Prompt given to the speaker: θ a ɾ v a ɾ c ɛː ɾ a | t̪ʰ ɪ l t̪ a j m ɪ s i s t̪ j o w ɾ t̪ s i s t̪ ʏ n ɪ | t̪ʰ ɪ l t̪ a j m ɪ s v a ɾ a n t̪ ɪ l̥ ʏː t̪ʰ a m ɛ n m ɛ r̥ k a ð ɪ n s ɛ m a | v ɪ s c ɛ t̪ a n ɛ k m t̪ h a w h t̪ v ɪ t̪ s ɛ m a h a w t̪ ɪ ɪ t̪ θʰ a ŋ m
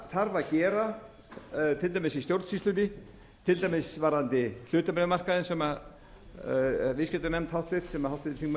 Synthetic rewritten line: θ a ɾ v a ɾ c ɛː ɾ a | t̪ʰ ɪ l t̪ a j m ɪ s i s t̪ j o w ɾ t̪ s i s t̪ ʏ n ɪ | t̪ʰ ɪ l t̪ a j m ɪ s v a ɾ a n t̪ ɪ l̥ ʏː t̪ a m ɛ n m a r̥ k a ð ɪ n s ɛ m a | v ɪ s c ɛ t̪ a n ɛ m t̪ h a w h t̪ v ɪ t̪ s ɛ m a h a w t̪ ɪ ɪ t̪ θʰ i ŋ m